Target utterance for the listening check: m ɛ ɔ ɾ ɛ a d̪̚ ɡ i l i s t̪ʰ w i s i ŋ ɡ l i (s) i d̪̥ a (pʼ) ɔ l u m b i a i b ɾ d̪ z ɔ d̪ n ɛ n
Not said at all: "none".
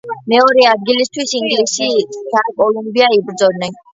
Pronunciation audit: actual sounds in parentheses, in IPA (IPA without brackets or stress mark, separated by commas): s, kʼ